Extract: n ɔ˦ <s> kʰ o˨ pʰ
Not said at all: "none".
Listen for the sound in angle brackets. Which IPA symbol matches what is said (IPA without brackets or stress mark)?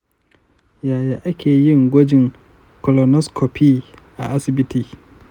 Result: s